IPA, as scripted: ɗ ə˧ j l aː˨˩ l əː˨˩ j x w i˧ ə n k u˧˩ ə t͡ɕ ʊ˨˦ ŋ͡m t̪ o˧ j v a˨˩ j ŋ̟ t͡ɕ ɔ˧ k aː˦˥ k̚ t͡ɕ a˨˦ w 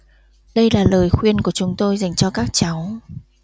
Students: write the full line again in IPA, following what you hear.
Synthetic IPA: ɗ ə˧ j l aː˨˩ l əː˨˩ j x w i˧ ə n k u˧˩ ə t͡ɕ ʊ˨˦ ŋ͡m t̪ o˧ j z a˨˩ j ŋ̟ t͡ɕ ɔ˧ k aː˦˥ k̚ t͡ɕ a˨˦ w